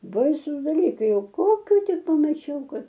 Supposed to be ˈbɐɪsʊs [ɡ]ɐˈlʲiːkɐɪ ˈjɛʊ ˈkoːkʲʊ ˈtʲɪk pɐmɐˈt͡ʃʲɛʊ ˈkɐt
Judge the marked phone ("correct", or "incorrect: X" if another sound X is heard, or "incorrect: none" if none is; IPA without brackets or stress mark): incorrect: d